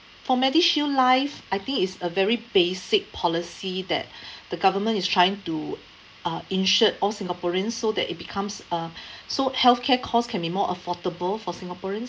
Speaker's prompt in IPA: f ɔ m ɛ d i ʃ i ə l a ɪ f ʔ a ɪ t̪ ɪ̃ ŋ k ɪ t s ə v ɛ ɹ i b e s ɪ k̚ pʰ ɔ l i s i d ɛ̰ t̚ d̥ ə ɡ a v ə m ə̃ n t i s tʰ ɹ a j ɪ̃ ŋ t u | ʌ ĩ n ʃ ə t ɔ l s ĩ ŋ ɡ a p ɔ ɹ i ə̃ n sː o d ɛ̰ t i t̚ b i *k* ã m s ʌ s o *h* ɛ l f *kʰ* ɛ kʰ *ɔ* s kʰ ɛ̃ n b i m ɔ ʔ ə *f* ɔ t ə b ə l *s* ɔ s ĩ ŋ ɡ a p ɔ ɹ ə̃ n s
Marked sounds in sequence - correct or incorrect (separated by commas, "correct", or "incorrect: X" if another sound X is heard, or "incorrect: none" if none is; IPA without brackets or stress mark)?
incorrect: kʰ, correct, correct, correct, correct, incorrect: f